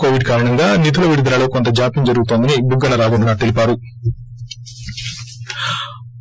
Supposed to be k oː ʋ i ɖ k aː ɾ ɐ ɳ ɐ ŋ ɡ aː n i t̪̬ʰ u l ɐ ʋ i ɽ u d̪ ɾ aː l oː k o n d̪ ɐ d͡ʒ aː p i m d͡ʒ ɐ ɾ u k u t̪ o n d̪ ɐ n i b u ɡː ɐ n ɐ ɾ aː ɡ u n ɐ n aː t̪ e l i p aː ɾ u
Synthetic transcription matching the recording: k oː ʋ i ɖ k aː ɾ ɐ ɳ ɐ ŋ ɡ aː n i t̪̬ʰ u l ɐ ʋ i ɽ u d̪ ɾ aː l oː k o n t̪ ɐ d͡ʒ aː p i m d͡ʒ ɐ ɾ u ɡ u t̪ o n d̪ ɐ n i b u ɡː ɐ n ɐ ɾ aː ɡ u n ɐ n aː t̪ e l i p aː ɾ u